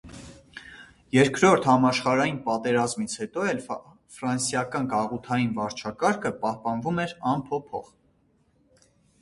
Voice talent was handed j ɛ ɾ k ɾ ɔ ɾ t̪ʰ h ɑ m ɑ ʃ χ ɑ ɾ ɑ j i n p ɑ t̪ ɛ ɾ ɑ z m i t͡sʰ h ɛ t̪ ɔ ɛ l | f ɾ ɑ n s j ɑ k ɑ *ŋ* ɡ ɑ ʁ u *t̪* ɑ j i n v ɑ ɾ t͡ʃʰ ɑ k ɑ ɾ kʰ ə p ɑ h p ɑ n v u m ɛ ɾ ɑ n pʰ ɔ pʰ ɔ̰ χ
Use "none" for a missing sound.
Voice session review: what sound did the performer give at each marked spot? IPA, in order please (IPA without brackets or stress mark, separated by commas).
n, t̪ʰ